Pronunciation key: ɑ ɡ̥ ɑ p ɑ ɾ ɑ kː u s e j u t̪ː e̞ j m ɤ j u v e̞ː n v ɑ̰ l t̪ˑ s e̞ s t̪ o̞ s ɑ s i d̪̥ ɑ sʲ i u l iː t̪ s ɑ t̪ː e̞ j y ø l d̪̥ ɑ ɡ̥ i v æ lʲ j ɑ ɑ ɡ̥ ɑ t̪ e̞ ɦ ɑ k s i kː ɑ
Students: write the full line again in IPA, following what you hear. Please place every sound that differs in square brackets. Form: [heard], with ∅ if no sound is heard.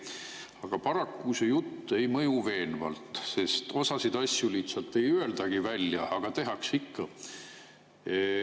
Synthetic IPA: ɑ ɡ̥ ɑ p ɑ ɾ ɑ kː u s e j u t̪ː e̞ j m ɤ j u v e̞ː n v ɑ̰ l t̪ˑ s e̞ s t̪ o̞ s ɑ s i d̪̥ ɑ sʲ [j] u l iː t̪ s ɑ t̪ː e̞ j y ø l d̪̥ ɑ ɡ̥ i v æ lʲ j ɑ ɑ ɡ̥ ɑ t̪ e̞ ɦ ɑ k s i kː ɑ